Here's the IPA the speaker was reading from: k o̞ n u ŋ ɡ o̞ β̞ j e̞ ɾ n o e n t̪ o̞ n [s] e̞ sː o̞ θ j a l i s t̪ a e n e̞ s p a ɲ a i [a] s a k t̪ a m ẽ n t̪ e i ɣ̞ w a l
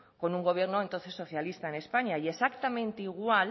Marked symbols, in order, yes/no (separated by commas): no, no